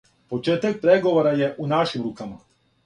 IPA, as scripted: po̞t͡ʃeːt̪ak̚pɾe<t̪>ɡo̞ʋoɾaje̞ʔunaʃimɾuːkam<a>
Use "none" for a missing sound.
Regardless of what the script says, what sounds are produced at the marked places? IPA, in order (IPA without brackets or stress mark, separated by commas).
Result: none, a